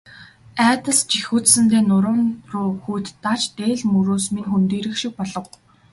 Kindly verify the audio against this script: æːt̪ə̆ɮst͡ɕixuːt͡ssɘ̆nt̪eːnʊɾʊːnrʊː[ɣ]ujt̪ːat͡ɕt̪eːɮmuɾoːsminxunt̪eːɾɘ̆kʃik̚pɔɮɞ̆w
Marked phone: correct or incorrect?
incorrect